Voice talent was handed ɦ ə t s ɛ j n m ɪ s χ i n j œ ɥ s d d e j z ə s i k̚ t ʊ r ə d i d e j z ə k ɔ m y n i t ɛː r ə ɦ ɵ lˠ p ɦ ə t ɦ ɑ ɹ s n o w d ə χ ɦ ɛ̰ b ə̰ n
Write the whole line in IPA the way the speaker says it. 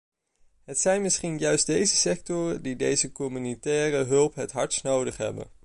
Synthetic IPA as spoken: ɦ ə t s ɛ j n m ɪ s χ i n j œ ɥ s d d e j z ə s ɛ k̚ t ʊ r ə d i d e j z ə k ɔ m y n i t ɛː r ə ɦ ɵ lˠ p ɦ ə t ɦ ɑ ɹ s n o w d ə χ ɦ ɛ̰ b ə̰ n